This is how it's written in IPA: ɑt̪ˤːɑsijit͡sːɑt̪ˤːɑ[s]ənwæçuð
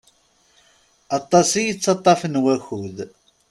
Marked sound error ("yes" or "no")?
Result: yes